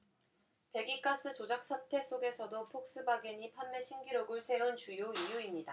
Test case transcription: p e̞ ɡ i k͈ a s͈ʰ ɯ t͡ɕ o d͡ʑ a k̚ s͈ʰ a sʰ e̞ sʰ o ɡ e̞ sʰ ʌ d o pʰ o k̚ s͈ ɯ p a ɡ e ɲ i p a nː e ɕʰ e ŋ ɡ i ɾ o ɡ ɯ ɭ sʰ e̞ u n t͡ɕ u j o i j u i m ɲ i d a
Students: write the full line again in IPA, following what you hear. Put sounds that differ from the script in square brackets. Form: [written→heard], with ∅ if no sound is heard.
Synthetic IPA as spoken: p e̞ ɡ i k͈ a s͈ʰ ɯ t͡ɕ o d͡ʑ a k̚ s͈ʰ a [sʰ→tʰ] e̞ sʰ o ɡ e̞ sʰ ʌ d o pʰ o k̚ s͈ ɯ [p→b] a ɡ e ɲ i [p→pʰ] a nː e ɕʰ [e→i] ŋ ɡ i ɾ o ɡ ɯ ɭ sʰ e̞ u n t͡ɕ u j o i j u i m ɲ i d a